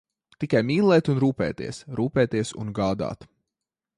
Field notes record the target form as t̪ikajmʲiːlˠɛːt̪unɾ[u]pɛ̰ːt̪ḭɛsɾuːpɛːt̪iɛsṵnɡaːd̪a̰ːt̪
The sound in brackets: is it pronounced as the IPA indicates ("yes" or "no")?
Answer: no